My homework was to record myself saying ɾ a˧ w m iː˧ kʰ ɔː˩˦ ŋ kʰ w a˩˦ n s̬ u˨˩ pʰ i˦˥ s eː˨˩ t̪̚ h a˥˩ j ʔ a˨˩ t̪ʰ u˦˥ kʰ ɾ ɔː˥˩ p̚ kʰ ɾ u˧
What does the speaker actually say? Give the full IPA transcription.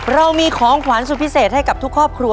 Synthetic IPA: ɾ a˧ w m iː˧ kʰ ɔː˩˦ ŋ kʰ w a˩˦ n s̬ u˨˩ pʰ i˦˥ s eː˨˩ t̪̚ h a˥˩ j k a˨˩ t̪ʰ u˦˥ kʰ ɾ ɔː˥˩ p̚ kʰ ɾ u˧